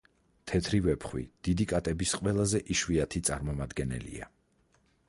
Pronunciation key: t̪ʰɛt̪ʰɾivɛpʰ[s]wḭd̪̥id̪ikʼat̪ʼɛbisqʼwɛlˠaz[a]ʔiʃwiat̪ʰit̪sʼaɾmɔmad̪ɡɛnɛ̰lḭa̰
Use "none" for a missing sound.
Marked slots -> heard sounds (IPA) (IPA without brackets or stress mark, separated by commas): χ, ɛ